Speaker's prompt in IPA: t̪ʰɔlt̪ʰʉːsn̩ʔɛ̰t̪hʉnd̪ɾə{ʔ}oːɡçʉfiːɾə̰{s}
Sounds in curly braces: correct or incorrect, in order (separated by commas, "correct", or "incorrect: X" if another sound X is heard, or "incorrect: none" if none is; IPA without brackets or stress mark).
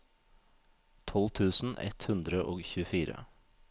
correct, incorrect: none